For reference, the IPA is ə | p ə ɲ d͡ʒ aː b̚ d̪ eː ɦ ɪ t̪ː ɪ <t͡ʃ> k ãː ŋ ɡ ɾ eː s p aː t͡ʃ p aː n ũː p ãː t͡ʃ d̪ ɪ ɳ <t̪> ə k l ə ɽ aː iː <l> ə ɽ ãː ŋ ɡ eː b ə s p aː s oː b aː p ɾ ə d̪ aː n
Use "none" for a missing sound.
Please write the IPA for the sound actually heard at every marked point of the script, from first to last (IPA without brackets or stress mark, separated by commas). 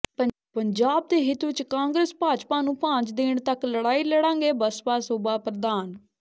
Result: t͡ʃ, t̪, l